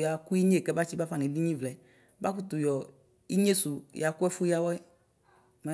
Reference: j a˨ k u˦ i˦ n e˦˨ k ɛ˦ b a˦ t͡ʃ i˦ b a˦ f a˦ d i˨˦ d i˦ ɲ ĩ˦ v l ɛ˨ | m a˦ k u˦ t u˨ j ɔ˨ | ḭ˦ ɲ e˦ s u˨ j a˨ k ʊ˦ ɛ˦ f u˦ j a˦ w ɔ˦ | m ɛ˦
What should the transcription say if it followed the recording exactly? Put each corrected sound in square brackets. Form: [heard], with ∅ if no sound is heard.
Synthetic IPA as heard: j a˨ k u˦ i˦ [ɲ] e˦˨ k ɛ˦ b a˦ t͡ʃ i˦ b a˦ f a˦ [n] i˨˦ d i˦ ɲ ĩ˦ v l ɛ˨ | [b] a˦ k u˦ t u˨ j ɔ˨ | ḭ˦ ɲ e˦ s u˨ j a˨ k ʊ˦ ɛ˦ f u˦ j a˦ w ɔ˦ | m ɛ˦